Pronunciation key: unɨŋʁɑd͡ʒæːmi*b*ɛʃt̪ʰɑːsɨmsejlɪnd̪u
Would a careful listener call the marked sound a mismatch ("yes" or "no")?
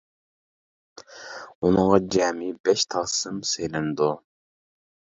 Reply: no